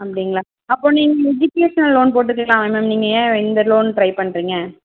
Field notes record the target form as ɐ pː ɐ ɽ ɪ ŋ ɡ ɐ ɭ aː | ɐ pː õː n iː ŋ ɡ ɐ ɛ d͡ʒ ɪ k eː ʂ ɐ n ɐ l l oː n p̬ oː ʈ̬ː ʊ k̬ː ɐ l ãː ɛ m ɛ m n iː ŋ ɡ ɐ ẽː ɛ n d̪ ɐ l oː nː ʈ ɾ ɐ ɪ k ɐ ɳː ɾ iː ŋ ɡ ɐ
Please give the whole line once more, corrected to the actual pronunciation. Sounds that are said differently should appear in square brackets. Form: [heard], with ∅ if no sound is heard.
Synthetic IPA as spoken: ɐ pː ɐ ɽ ɪ ŋ ɡ ɐ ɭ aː | ɐ pː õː n iː ŋ ɡ ɐ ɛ d͡ʒ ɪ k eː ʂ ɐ n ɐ l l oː n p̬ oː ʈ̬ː [ɯ] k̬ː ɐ l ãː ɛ m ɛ m n iː ŋ ɡ ɐ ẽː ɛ n d̪ ɐ l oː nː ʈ ɾ ɐ ɪ [p] ɐ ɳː ɾ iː ŋ ɡ ɐ